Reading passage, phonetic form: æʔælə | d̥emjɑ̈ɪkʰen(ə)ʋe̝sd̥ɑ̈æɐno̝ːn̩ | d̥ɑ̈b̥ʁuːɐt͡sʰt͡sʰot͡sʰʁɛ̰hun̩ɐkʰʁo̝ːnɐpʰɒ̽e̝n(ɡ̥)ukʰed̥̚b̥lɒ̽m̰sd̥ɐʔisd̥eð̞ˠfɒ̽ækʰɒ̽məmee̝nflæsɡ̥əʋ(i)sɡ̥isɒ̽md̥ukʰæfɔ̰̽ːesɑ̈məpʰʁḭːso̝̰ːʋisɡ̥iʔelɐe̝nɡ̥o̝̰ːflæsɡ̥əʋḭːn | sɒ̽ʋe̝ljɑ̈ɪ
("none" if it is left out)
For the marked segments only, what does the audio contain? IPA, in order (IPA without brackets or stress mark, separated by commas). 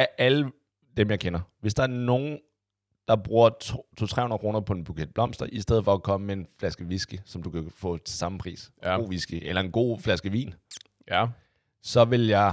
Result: ɐ, b̥, i